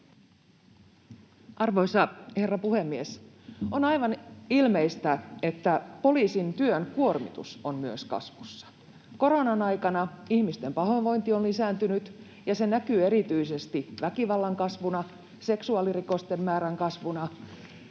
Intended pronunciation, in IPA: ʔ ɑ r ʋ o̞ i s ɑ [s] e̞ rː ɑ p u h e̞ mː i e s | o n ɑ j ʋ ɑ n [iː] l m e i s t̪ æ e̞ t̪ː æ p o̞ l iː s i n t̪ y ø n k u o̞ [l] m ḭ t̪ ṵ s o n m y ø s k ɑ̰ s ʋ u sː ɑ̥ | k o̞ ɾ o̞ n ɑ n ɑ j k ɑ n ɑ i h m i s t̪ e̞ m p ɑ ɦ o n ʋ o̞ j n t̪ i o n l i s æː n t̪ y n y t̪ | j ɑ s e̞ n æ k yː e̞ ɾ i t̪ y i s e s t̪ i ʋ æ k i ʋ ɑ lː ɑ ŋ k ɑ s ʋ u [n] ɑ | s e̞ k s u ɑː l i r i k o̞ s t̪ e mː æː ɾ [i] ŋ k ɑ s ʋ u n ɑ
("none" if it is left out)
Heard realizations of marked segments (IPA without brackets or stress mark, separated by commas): h, i, r, n, æ